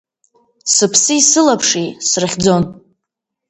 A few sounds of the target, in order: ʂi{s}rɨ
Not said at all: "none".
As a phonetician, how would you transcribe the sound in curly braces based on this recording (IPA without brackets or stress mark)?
s